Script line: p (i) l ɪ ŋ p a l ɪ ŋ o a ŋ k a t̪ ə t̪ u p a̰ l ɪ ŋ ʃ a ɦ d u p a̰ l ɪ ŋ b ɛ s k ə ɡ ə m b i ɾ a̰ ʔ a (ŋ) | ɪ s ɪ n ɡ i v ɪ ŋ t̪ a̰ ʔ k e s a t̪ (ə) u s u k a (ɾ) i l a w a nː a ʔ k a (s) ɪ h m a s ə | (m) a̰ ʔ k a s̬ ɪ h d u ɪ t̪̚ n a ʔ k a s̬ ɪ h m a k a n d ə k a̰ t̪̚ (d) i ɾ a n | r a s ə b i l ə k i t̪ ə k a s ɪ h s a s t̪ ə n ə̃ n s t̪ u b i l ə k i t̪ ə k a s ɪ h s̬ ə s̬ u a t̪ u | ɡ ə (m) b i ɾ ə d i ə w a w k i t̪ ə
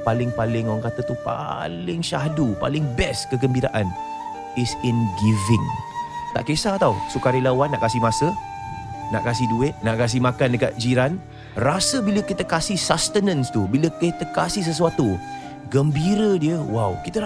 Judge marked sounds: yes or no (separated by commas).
no, no, no, yes, yes, no, no, yes